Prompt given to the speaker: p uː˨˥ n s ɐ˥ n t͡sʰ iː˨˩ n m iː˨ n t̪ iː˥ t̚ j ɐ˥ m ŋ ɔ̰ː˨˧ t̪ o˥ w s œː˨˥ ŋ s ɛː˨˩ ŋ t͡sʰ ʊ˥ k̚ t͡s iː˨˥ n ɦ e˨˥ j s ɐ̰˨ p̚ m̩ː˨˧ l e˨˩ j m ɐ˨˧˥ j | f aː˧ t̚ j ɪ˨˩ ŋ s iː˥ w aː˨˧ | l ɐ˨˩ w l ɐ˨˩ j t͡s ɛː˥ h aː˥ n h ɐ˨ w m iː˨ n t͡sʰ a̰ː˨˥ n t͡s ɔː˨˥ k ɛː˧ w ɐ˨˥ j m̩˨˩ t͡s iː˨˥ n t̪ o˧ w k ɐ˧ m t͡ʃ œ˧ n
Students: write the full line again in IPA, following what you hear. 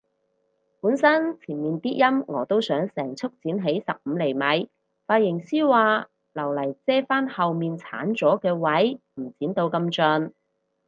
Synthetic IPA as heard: p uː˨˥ n s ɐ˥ n t͡sʰ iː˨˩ n m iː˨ n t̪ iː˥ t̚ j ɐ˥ m ŋ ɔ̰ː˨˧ t̪ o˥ w s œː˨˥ ŋ s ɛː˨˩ ŋ t͡sʰ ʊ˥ k̚ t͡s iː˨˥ n ɦ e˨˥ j s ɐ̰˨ p̚ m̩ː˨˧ l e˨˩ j m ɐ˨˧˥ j | f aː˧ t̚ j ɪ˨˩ ŋ s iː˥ w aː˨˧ | l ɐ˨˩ w l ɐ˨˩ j t͡s ɛː˥ f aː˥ n h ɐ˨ w m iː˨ n t͡sʰ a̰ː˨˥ n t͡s ɔː˨˥ k ɛː˧ w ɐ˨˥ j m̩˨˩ t͡s iː˨˥ n t̪ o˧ w k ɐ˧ m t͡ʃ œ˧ n